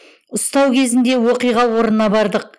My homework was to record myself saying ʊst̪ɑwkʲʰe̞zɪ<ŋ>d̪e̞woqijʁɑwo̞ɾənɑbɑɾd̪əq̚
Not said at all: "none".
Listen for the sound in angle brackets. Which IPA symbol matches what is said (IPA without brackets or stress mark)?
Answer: n